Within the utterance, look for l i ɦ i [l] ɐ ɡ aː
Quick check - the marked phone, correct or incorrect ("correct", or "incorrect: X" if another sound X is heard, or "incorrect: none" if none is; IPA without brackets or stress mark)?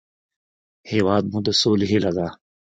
correct